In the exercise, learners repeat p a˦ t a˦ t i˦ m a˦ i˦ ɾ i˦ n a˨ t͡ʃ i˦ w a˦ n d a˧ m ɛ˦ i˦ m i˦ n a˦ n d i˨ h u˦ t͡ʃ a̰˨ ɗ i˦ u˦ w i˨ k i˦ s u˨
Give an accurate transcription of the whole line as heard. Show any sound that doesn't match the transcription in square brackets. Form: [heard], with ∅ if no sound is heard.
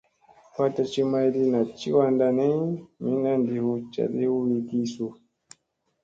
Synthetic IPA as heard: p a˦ t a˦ [t͡ʃ] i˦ m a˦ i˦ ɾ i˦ n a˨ t͡ʃ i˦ w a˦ n d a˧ [n] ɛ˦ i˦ m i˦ n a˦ n d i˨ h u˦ t͡ʃ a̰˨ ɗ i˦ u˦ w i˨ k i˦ s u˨

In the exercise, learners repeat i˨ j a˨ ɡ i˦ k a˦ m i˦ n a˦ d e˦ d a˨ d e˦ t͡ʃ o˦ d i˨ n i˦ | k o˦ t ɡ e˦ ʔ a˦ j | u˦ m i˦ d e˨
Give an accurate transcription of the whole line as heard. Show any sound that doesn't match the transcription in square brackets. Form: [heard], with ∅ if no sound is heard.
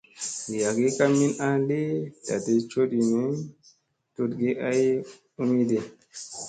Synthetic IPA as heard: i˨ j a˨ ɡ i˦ k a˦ m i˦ n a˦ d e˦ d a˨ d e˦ t͡ʃ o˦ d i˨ n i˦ | [t] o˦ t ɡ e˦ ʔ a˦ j | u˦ m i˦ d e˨

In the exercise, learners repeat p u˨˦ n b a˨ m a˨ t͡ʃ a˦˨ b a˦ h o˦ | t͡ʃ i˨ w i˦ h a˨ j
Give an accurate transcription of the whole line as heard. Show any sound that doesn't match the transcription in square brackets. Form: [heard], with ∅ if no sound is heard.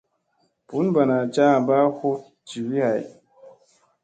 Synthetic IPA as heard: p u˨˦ n b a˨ [n] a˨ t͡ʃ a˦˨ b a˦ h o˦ | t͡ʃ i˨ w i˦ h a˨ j

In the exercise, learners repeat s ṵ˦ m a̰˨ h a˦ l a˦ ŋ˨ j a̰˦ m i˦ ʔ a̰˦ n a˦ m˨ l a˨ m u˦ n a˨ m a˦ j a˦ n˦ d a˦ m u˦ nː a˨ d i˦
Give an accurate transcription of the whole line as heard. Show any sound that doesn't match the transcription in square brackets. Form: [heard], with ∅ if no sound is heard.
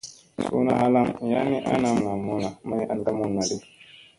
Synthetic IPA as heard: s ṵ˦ [n] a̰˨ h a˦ l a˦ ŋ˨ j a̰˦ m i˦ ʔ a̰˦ n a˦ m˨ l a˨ m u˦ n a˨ m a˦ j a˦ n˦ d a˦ m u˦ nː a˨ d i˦

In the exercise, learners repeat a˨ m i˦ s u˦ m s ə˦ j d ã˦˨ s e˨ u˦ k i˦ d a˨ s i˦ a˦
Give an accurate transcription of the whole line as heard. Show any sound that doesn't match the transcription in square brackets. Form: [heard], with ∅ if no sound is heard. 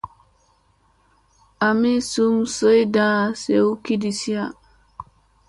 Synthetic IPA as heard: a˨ m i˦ s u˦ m s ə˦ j d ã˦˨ s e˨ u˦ k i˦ d [i˨] s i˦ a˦

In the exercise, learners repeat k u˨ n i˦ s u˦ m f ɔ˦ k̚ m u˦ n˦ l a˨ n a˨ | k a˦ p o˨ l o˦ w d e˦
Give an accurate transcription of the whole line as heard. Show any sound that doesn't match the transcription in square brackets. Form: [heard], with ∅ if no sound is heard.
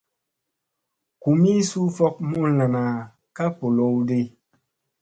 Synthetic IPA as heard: k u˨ [m] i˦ s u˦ [∅] f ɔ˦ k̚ m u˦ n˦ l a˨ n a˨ | k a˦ p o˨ l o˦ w d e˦

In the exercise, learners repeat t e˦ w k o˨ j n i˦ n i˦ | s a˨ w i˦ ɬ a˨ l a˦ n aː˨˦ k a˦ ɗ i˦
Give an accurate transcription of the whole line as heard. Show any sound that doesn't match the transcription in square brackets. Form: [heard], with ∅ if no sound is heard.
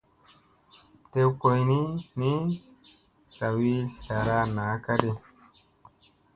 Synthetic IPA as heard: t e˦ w k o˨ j n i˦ n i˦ | s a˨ w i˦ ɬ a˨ [ɾ] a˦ n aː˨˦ k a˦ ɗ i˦

